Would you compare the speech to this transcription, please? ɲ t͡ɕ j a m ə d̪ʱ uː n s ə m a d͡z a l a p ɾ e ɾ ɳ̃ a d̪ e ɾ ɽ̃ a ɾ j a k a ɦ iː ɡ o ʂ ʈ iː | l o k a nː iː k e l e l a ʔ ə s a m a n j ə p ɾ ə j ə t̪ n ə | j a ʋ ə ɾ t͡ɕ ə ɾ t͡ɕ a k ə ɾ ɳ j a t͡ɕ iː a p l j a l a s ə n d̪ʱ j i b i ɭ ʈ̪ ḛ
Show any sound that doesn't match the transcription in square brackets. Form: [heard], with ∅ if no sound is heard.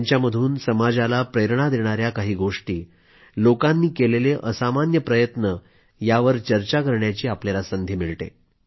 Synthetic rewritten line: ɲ t͡ɕ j a m ə d̪ʱ uː n s ə m a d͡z a l a p ɾ e ɾ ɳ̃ a d̪ e [∅] ɽ̃ a ɾ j a k a ɦ iː ɡ o ʂ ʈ iː | l o k a nː iː k e l e l [e] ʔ ə s a m a n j ə p ɾ ə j ə t̪ n ə | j a ʋ ə ɾ t͡ɕ ə ɾ t͡ɕ a k ə ɾ ɳ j a t͡ɕ iː a p l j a l a s ə n d̪ʱ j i [m] i ɭ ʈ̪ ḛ